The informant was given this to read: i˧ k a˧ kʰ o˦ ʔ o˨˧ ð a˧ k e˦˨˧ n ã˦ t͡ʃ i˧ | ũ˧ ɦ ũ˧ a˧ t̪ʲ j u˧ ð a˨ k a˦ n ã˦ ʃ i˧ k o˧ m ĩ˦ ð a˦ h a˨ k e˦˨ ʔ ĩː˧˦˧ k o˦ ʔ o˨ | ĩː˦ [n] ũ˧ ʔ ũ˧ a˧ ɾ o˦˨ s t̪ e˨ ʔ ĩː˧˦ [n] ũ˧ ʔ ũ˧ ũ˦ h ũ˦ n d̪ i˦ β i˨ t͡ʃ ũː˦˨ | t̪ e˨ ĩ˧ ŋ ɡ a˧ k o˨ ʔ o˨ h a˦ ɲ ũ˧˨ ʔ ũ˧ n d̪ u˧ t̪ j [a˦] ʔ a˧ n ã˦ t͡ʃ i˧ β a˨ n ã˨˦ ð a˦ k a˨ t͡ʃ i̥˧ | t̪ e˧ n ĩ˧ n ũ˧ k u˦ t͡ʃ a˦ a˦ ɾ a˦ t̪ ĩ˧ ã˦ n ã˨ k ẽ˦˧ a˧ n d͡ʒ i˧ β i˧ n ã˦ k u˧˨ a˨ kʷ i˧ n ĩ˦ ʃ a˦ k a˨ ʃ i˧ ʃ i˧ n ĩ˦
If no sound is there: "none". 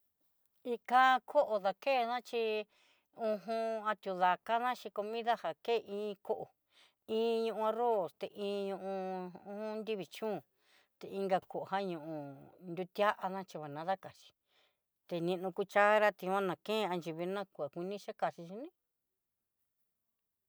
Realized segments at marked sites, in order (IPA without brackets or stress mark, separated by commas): ɲ, ɲ, a˦